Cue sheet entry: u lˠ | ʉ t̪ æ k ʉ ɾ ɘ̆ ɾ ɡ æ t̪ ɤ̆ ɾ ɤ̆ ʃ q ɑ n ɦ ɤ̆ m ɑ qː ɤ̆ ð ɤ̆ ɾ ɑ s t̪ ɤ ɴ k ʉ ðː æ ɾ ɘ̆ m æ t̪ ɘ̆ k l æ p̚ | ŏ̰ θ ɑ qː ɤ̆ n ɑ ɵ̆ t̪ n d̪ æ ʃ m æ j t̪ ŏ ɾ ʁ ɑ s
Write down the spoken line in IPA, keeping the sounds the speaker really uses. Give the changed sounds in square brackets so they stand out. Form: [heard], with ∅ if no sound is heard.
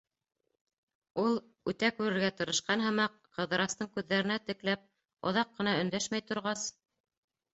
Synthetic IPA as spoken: u lˠ | ʉ t̪ æ k ʉ ɾ ɘ̆ ɾ ɡ æ t̪ ɤ̆ ɾ ɤ̆ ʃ q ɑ n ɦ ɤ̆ m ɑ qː ɤ̆ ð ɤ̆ ɾ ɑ s t̪ ɤ ɴ k ʉ ðː æ ɾ ɘ̆ [n] æ t̪ ɘ̆ k l æ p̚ | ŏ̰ [ð] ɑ qː ɤ̆ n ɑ ɵ̆ [∅] n d̪ æ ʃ m æ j t̪ ŏ ɾ ʁ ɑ s